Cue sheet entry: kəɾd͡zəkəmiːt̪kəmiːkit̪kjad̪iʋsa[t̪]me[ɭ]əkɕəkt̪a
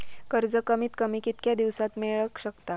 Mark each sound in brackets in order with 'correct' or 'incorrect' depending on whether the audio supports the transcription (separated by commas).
correct, correct